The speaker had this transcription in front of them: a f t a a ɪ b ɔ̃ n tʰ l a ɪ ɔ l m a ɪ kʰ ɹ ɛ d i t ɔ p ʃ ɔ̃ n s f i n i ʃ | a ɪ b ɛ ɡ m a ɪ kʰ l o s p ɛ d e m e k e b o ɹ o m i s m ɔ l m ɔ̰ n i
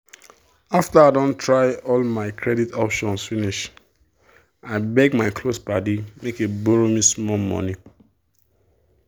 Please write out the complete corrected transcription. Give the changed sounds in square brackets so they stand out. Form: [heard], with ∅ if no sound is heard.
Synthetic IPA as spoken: a f t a a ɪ [d] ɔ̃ n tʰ [ɹ] a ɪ ɔ l m a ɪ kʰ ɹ ɛ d i t ɔ p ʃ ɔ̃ n s f i n i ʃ | a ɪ b ɛ ɡ m a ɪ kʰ l o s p [a] d [i] m e k e b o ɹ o m i s m ɔ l m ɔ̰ n i